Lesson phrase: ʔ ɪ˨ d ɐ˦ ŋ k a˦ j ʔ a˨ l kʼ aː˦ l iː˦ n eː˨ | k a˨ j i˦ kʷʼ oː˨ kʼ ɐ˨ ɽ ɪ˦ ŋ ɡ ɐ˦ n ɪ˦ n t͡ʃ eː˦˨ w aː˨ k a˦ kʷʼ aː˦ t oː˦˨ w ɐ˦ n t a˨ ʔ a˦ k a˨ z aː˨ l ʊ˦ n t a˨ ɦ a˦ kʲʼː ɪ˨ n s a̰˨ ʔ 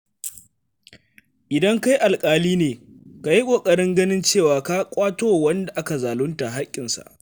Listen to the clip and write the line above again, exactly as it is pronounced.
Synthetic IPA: ʔ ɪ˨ d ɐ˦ ŋ k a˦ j ʔ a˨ l kʼ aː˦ l iː˦ n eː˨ | k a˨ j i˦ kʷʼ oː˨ kʼ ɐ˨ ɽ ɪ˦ ŋ ɡ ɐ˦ n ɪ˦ n t͡ʃ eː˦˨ w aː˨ k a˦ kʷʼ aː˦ t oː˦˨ w ɐ˦ n d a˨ ʔ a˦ k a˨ z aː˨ l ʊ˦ n t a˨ ɦ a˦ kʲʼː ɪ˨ n s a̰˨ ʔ